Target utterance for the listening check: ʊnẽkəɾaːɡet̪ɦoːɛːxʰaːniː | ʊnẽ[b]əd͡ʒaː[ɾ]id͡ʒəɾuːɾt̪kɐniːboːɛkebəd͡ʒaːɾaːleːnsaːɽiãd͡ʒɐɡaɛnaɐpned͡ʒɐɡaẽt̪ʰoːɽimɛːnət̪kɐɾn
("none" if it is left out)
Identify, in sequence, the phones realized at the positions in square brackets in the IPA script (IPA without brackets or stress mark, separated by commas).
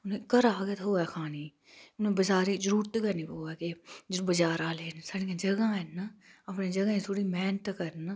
b, ɾ